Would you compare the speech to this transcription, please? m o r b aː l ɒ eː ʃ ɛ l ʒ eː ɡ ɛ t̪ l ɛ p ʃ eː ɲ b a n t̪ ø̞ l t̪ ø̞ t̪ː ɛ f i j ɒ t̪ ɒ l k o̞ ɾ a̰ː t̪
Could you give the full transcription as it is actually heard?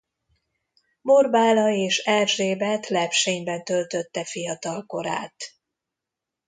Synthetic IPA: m o r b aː l ɒ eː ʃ ɛ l ʒ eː b ɛ t̪ l ɛ p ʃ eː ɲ b ɛ n t̪ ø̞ l t̪ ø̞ t̪ː ɛ f i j ɒ t̪ ɒ l k o̞ ɾ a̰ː t̪